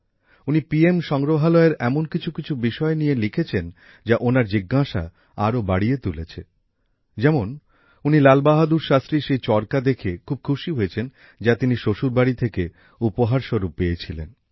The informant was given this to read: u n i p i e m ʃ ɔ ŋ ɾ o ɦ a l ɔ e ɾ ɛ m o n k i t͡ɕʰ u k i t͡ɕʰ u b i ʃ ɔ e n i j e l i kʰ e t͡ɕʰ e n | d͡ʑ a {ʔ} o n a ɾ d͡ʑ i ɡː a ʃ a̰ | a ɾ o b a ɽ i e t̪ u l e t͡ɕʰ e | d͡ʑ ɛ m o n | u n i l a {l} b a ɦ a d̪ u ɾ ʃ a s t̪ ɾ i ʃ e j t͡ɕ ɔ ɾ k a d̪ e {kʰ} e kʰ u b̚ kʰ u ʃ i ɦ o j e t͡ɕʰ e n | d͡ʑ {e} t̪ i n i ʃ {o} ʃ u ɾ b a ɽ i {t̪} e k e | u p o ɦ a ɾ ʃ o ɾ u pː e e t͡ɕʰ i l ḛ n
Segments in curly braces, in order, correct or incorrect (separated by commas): correct, correct, correct, incorrect, correct, incorrect